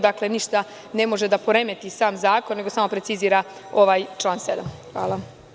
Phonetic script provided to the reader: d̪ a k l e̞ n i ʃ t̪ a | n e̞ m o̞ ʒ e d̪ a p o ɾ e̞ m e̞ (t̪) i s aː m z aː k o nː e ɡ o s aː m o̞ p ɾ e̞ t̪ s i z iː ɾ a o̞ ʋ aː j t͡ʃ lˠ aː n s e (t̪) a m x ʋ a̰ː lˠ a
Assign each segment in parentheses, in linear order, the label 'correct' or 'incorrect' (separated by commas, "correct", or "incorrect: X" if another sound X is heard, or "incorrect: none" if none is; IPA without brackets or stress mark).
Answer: correct, incorrect: d̪